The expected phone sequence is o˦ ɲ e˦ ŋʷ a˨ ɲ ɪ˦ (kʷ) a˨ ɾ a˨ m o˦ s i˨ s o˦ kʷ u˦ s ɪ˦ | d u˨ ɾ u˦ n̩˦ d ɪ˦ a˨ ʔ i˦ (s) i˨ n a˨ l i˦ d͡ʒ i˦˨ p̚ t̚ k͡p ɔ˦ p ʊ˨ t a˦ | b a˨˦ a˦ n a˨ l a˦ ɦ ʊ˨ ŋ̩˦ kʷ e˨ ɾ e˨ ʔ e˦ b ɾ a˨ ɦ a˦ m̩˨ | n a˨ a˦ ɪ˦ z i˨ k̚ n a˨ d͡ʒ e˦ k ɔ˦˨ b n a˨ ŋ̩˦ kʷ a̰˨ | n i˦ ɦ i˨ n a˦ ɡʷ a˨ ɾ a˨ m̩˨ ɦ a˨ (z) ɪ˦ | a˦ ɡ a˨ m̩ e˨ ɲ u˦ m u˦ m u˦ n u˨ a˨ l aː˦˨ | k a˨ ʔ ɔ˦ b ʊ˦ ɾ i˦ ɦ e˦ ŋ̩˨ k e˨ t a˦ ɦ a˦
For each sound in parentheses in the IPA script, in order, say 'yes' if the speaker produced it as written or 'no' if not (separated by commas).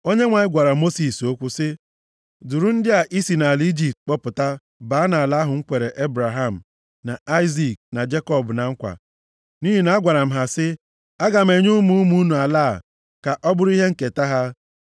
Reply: no, yes, no